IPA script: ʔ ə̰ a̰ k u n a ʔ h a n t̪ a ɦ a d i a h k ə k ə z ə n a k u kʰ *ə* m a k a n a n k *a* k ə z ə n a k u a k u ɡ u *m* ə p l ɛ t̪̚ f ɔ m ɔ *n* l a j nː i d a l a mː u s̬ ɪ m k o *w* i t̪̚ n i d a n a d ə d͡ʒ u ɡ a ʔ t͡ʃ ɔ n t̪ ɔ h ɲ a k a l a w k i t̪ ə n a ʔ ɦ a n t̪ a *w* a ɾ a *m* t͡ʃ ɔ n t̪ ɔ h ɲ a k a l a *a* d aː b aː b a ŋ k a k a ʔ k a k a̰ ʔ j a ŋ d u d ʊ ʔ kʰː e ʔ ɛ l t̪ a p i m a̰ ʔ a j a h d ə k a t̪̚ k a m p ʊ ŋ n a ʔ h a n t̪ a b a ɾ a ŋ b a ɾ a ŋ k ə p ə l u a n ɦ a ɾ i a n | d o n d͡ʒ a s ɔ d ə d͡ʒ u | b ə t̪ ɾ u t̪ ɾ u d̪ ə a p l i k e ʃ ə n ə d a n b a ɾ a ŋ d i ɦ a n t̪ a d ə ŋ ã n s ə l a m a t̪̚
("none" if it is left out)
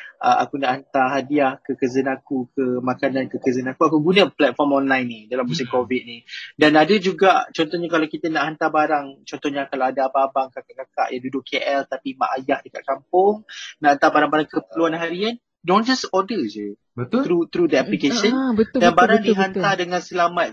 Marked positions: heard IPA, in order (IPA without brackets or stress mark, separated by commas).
ə, ə, n, n, v, b, ŋ, a